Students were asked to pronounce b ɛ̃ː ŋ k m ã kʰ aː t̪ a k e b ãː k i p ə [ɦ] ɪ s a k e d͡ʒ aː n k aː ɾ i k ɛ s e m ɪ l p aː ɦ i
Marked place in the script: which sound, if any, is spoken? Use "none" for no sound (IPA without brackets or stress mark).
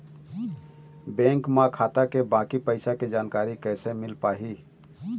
none